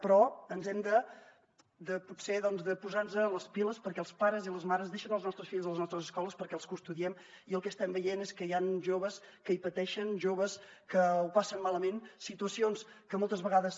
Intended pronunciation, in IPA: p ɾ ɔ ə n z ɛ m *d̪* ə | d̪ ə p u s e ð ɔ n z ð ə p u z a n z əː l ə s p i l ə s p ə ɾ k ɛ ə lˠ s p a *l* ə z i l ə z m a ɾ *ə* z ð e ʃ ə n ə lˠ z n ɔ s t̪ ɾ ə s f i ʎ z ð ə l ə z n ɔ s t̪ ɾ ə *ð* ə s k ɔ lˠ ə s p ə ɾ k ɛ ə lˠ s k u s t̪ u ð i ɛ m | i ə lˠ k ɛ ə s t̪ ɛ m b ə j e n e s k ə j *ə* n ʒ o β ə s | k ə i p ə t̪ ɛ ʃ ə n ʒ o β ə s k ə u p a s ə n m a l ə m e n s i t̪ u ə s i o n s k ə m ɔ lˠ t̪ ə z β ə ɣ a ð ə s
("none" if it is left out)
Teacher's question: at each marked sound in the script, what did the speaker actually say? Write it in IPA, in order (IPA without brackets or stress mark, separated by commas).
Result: d̪, ɾ, ə, z, a